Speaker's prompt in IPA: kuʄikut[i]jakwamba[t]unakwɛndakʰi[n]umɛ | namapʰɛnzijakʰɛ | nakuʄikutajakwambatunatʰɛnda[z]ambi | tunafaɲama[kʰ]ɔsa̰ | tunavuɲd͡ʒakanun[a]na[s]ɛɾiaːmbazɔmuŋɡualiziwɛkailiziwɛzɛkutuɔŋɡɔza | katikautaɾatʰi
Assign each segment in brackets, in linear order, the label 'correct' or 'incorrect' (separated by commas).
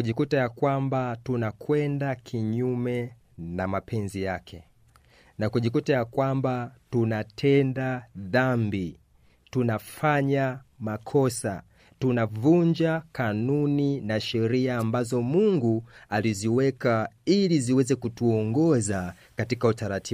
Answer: incorrect, correct, incorrect, incorrect, correct, incorrect, incorrect